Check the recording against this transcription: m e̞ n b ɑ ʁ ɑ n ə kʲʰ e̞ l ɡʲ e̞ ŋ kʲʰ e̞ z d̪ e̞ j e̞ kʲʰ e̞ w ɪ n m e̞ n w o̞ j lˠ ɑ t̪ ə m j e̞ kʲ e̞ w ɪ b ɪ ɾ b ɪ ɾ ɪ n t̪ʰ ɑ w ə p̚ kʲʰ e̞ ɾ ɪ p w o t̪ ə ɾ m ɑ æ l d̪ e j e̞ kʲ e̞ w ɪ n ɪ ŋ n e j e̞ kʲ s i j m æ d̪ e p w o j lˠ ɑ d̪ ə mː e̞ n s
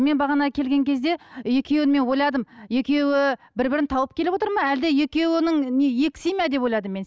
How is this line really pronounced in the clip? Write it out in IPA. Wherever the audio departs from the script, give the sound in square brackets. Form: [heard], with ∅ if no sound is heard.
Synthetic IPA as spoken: m e̞ n b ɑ ʁ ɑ n [ɑ] kʲʰ e̞ l ɡʲ e̞ ŋ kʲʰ e̞ z d̪ e̞ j e̞ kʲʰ e̞ w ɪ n m e̞ n w o̞ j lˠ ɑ [d̪] ə m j e̞ kʲ e̞ w ɪ b ɪ ɾ b ɪ ɾ ɪ n t̪ʰ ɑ w ə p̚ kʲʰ e̞ [l] ɪ p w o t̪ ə ɾ m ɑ æ l d̪ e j e̞ kʲ e̞ w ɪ n ɪ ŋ n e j e̞ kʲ s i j m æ d̪ e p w o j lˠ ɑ d̪ ə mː e̞ n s